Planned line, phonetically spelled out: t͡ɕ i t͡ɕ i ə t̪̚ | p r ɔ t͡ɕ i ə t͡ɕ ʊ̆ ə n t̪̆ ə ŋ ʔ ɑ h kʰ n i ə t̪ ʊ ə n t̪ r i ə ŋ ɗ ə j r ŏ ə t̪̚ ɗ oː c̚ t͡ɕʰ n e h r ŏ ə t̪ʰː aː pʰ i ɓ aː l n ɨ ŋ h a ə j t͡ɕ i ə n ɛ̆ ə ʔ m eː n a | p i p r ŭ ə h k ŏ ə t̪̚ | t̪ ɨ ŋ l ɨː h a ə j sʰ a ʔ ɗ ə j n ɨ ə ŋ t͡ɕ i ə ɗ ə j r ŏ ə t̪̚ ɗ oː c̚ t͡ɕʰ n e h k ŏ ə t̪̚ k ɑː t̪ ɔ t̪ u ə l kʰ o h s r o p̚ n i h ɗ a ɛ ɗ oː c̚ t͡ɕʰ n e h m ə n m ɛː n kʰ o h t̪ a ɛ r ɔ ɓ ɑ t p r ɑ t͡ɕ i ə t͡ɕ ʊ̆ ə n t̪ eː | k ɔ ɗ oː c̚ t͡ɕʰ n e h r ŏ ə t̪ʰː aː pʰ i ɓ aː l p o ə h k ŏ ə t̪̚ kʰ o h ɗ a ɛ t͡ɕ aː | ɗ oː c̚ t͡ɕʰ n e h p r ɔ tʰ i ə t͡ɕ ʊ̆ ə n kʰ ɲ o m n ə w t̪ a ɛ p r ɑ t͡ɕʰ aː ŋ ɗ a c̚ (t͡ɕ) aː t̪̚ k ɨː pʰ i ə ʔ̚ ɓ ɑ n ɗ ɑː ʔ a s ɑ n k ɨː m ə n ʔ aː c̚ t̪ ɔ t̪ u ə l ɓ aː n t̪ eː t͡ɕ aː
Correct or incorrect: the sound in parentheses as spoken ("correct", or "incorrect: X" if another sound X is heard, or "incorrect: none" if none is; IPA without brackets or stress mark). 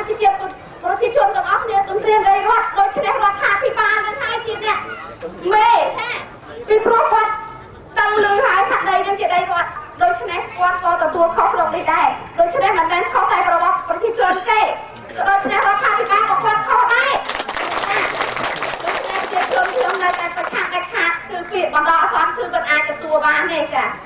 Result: incorrect: t͡ɕʰ